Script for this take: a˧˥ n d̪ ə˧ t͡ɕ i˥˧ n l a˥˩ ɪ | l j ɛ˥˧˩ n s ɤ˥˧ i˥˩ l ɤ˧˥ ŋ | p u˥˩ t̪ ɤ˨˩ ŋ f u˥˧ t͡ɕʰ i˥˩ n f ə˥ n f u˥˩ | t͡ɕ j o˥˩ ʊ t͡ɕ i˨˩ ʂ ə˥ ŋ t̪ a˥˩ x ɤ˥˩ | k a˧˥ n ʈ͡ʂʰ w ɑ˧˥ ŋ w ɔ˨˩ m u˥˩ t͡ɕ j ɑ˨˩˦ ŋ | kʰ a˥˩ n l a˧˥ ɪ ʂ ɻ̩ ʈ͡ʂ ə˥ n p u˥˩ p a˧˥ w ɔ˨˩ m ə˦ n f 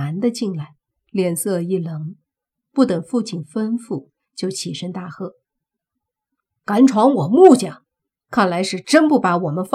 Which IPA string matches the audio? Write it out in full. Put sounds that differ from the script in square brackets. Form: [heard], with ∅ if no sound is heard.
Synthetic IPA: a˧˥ n d̪ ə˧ t͡ɕ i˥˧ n l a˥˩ ɪ | l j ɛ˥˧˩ n s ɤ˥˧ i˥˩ l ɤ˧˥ ŋ | p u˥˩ t̪ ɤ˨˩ ŋ f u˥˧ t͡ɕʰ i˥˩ n f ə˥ n f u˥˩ | t͡ɕ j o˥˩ ʊ [t͡ɕʰ] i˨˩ ʂ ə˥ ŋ t̪ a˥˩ x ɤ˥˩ | k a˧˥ n ʈ͡ʂʰ w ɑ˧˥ ŋ w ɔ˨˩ m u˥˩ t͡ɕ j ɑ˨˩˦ ŋ | kʰ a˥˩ n l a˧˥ ɪ ʂ ɻ̩ ʈ͡ʂ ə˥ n p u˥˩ p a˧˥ w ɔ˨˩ m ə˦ n f